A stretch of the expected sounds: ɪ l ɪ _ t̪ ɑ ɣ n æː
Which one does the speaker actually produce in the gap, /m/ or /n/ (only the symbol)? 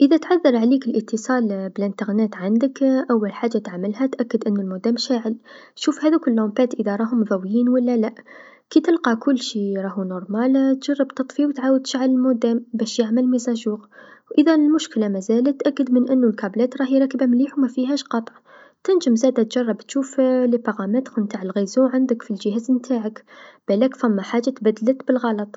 n